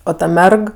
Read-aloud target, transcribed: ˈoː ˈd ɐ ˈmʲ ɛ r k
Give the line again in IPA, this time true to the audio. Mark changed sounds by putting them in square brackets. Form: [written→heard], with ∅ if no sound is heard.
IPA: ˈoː [ˈd→ˈt] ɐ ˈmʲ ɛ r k